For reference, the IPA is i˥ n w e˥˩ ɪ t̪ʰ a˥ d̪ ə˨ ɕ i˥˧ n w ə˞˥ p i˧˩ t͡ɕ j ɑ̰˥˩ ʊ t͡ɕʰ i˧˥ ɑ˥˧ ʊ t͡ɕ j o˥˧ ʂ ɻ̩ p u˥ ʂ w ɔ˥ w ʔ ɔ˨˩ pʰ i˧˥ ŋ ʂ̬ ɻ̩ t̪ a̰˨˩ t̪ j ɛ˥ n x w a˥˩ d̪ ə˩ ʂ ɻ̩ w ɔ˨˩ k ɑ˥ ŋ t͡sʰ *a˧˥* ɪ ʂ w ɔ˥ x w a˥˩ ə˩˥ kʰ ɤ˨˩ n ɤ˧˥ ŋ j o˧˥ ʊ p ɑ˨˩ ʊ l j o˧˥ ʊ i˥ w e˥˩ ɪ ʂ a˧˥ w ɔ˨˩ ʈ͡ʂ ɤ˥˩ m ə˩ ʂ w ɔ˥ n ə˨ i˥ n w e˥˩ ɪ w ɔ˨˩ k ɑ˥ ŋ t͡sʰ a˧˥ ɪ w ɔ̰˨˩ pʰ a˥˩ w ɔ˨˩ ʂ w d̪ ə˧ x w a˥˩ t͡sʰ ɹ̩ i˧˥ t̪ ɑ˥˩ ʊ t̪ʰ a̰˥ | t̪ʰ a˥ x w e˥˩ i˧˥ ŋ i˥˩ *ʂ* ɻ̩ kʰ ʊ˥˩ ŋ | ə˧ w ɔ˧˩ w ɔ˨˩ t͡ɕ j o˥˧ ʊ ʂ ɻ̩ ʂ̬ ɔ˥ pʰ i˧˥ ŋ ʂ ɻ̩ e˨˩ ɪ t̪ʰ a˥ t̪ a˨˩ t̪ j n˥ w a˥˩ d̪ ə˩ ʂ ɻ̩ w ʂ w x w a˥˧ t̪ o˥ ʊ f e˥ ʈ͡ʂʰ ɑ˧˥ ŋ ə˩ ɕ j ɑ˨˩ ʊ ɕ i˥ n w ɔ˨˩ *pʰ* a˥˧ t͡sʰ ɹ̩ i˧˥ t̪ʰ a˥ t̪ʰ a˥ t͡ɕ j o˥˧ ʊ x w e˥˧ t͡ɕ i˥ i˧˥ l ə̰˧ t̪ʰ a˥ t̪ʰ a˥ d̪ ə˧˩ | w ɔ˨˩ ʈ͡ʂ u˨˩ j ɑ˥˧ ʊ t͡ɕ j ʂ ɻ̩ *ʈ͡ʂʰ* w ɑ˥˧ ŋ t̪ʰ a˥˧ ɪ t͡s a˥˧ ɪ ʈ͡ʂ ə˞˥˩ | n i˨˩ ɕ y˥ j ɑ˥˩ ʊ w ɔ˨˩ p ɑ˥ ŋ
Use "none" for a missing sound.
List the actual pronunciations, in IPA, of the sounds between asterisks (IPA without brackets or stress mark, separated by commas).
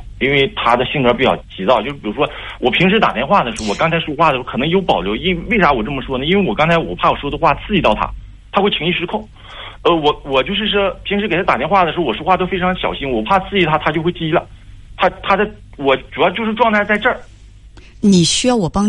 a˧, ʂ, pʰ, ʈ͡ʂ